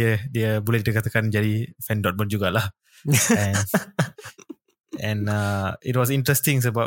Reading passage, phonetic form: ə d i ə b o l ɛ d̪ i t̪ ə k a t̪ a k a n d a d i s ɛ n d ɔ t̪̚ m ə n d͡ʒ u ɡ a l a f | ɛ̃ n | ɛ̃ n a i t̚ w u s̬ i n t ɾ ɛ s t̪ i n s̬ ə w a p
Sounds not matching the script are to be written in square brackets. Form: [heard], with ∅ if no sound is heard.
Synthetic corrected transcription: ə d i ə b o l ɛ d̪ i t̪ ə k a t̪ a k a n [d͡ʒ] a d i [f] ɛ n d ɔ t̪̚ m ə n d͡ʒ u ɡ a l a [h] | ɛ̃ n | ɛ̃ n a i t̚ w [ɔ] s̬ i n t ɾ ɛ s t̪ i [ŋ] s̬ ə [b] a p